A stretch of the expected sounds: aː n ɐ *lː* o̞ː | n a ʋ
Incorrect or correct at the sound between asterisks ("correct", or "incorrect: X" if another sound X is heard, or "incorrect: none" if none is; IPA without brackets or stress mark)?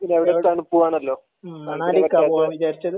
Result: correct